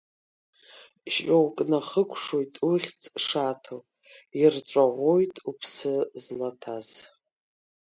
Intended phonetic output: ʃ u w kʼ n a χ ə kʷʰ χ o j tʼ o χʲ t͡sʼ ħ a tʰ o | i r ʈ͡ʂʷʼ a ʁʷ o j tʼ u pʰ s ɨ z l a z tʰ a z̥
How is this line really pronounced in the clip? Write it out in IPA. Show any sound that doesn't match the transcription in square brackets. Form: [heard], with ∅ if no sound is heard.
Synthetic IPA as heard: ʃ [o] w kʼ n a χ ə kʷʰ [ʂ] o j tʼ [u] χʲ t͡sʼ [ʂ] a tʰ o | i r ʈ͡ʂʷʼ a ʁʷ o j tʼ u pʰ s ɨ z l a [∅] tʰ a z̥